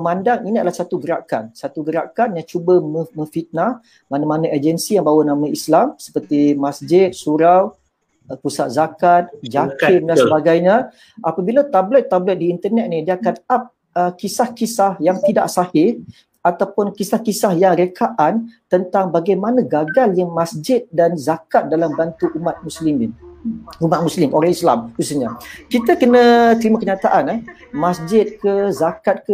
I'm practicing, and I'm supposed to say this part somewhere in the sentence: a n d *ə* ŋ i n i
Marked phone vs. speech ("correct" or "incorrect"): incorrect